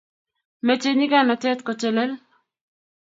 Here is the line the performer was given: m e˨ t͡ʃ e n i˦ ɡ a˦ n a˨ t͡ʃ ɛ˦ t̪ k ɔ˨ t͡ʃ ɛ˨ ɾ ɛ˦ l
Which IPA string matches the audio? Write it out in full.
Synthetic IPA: m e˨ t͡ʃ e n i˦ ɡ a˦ n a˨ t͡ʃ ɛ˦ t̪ k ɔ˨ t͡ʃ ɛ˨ l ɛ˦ l